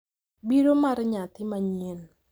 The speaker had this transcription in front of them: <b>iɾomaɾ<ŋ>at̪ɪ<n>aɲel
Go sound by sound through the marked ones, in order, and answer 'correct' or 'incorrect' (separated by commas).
correct, incorrect, incorrect